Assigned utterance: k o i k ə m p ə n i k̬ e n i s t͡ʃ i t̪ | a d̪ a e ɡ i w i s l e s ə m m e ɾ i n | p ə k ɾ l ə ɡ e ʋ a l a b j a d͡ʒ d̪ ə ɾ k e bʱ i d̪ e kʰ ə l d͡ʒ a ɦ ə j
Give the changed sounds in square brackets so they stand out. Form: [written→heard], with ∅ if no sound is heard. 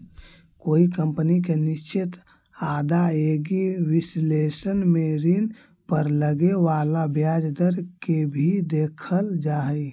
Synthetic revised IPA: k o i k ə m p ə n i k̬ e n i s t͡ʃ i t̪ | a d̪ a e ɡ i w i s l e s ə [m→n] m e ɾ i n | p ə [k→∅] ɾ l ə ɡ e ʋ a l a b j a d͡ʒ d̪ ə ɾ k e bʱ i d̪ e kʰ ə l d͡ʒ a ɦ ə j